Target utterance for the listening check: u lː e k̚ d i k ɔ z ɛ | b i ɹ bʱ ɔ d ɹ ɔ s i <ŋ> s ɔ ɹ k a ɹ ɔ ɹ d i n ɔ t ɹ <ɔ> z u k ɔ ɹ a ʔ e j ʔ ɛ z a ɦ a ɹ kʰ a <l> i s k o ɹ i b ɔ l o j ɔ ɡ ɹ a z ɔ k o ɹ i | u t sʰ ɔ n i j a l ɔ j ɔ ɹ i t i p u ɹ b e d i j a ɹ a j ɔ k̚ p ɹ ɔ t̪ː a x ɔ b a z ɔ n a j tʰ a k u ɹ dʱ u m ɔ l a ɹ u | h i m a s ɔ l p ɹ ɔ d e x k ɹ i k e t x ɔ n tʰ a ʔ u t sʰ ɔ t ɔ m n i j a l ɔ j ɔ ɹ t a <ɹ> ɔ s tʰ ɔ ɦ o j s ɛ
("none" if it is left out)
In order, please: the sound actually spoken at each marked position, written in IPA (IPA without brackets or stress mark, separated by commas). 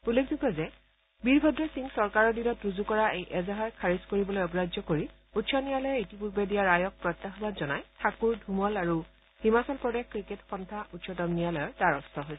ŋ, u, ɹ, ɹ